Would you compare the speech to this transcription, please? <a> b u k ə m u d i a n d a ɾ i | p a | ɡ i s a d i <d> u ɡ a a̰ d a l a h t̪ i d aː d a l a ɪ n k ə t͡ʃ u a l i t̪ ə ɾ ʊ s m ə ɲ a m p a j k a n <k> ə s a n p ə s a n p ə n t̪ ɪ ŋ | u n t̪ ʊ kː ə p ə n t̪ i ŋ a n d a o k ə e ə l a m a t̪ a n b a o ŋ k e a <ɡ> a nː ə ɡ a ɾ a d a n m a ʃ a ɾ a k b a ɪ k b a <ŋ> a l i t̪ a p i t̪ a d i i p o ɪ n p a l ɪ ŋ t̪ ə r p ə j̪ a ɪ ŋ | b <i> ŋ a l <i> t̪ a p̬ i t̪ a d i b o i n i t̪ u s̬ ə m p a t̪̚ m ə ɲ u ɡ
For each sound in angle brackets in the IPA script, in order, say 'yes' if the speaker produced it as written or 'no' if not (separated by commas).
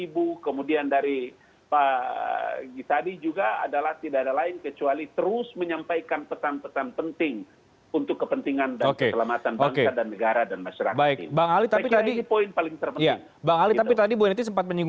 no, no, no, no, yes, no, yes